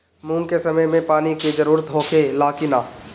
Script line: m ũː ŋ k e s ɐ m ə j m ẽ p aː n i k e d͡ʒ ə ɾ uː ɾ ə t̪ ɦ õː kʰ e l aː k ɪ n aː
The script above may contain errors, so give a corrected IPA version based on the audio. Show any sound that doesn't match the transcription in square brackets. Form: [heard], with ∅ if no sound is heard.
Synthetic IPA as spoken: m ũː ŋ k e s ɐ m ə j m ẽ p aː n i k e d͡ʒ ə ɾ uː ɾ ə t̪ ɦ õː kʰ e l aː k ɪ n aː